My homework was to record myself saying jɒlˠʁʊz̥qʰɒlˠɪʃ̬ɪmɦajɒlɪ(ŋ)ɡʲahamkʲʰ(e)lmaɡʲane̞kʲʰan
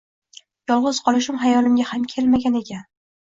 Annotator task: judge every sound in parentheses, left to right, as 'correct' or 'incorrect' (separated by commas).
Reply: incorrect, correct